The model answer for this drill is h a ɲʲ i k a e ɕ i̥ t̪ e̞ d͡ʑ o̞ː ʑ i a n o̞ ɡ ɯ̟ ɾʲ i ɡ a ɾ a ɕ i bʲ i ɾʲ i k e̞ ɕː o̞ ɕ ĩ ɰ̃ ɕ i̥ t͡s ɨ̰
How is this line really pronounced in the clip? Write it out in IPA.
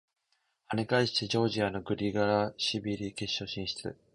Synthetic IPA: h a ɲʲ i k a i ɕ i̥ t̪ e̞ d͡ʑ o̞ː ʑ i a n o̞ ɡ ɯ̟ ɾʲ i ɡ a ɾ a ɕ i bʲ i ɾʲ i k e̞ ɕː o̞ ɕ ĩ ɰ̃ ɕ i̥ t͡s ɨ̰

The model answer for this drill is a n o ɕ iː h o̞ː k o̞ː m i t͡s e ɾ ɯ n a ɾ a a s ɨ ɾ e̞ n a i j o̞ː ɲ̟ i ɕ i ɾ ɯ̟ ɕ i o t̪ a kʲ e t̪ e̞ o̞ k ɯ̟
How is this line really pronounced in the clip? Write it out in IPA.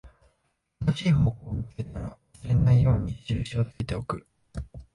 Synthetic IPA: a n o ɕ iː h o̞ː k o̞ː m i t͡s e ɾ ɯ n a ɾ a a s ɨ ɾ e̞ n a i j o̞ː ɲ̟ i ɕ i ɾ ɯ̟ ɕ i o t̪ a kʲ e t̪ e̞ o̞ k ɯ̟

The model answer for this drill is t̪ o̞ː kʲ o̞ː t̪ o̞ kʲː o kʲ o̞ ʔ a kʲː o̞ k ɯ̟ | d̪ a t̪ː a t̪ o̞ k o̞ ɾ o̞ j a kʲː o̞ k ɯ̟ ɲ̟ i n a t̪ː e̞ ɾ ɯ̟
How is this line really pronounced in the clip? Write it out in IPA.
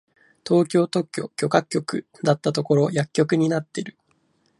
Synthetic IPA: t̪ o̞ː kʲ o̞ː t̪ o̞ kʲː o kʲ o̞ k a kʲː o̞ k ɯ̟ | d̪ a t̪ː a t̪ o̞ k o̞ ɾ o̞ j a kʲː o̞ k ɯ̟ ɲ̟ i n a t̪ː e̞ ɾ ɯ̟

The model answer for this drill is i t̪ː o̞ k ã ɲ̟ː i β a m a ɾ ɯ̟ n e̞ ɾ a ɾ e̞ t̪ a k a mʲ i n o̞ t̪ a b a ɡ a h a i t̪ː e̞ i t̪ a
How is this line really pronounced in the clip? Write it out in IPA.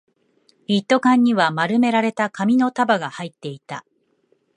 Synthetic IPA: i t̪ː o̞ k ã ɲ̟ː i β a m a ɾ ɯ̟ m e̞ ɾ a ɾ e̞ t̪ a k a mʲ i n o̞ t̪ a b a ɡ a h a i t̪ː e̞ i t̪ a

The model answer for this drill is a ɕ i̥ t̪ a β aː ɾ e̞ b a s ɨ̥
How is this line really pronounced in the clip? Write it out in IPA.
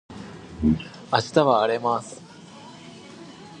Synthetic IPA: a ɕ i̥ t̪ a β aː ɾ e̞ m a s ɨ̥

